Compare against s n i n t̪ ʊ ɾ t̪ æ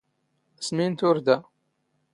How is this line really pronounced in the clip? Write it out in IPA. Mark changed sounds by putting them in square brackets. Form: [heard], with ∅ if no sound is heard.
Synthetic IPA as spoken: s [m] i n t̪ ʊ ɾ [d̪] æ